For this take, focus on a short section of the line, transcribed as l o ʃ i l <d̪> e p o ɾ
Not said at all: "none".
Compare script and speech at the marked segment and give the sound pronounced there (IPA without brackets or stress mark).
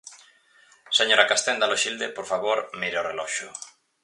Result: d̪